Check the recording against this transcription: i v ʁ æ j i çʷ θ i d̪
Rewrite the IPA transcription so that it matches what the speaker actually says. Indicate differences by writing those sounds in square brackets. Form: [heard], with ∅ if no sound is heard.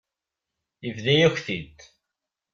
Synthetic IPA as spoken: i v [ð] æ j [æ] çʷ θ i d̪

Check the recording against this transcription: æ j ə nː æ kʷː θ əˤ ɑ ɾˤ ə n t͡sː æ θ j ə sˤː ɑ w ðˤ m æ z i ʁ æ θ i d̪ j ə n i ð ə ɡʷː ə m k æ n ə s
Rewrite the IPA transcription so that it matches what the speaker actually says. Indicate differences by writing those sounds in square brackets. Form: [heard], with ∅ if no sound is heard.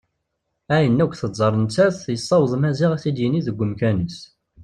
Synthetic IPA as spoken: æ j ə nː æ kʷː θ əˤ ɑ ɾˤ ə n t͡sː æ θ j ə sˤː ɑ w ðˤ m æ z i ʁ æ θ i d̪ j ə n i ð ə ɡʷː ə m k æ n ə s

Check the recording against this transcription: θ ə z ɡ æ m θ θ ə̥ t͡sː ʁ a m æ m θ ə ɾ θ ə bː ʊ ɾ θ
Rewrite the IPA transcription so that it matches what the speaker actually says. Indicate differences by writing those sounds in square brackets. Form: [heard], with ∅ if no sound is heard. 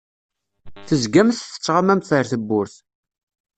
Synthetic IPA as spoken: θ ə z ɡ æ m θ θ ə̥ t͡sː ʁ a m æ m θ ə ɾ θ ə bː ʊ ɾ θ

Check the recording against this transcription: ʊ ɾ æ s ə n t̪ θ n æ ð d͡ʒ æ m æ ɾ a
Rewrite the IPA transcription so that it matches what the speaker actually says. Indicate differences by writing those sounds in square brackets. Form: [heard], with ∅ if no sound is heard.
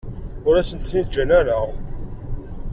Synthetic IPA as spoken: ʊ ɾ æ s ə n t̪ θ n [i] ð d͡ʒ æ [n] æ ɾ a

